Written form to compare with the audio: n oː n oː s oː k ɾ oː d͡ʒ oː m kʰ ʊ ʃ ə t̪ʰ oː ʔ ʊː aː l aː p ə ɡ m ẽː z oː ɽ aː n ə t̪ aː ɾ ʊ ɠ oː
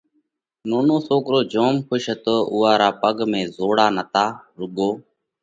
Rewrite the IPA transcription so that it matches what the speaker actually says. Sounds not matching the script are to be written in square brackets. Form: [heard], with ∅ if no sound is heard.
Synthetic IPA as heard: n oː n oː s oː k ɾ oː d͡ʒ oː m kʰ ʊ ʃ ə [t̪] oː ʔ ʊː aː [ɾ] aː p ə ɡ m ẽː z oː ɽ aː n ə t̪ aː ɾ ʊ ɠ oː